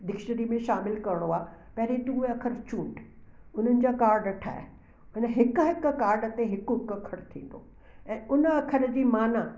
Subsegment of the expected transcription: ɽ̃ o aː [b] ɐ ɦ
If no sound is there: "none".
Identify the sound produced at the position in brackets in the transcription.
p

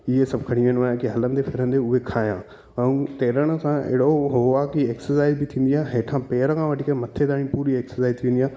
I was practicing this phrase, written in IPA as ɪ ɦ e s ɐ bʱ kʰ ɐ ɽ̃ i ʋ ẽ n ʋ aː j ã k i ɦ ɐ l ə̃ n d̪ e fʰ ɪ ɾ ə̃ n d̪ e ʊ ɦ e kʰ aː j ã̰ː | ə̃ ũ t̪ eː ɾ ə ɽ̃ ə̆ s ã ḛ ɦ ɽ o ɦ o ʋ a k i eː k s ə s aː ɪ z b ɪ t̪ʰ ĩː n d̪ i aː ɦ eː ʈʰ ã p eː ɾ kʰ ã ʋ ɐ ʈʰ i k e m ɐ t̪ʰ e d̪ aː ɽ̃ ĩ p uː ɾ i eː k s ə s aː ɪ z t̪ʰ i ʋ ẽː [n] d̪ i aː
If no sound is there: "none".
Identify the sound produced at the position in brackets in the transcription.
n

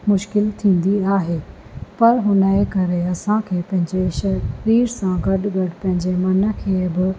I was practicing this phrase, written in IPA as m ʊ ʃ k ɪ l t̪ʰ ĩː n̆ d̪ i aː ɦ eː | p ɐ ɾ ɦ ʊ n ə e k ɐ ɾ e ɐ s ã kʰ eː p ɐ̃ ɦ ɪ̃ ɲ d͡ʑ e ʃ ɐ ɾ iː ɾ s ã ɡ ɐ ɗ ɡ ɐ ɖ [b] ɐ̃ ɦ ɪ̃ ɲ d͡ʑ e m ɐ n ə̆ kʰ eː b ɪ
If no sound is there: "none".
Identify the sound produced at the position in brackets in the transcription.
p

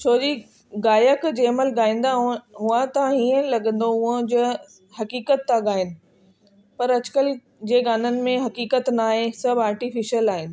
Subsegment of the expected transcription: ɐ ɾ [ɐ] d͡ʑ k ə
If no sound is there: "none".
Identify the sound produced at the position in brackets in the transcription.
ɐ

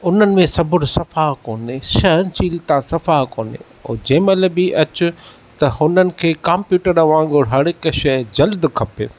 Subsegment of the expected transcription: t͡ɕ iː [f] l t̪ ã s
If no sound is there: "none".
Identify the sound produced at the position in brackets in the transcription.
none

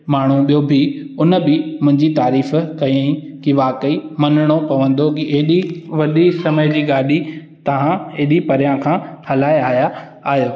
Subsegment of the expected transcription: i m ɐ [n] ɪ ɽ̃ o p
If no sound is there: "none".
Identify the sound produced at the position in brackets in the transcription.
n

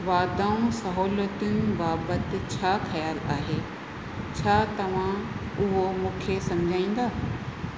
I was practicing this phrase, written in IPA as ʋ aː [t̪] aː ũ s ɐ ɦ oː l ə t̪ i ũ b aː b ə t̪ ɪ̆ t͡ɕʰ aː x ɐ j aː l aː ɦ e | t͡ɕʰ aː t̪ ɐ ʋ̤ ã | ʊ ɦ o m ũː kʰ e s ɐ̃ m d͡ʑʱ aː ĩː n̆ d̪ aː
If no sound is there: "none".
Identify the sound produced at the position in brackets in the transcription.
d̪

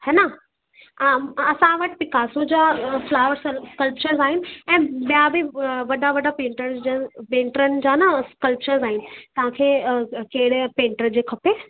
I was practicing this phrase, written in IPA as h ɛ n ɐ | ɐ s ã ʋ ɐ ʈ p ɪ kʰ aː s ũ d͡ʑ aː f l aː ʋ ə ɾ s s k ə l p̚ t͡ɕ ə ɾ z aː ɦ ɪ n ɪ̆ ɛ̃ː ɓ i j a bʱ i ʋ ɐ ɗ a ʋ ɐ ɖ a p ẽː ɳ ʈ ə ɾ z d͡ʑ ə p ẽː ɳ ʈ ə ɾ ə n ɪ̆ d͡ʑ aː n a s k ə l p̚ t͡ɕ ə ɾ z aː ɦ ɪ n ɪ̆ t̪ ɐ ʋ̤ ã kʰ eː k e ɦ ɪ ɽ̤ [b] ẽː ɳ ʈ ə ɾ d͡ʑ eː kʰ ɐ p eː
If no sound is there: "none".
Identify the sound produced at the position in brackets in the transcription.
p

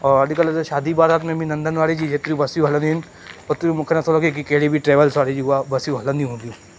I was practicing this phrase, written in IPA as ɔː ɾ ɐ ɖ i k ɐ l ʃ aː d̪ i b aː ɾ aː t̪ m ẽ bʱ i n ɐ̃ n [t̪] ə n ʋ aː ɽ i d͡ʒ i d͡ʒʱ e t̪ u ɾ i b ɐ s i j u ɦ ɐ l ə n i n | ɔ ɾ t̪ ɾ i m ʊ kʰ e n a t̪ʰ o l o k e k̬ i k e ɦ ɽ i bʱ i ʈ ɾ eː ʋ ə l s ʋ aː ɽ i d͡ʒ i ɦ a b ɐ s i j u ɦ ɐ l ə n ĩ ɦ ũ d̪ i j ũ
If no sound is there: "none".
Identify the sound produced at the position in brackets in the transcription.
d̪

